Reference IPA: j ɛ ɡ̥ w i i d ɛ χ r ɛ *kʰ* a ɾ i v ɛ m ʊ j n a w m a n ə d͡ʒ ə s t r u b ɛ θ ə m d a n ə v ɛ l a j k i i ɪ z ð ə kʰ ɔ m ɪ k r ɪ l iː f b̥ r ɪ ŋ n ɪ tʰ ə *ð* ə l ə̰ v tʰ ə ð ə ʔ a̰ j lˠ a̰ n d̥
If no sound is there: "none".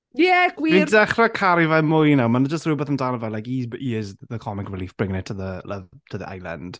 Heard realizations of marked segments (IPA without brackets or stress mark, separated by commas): kʰ, ð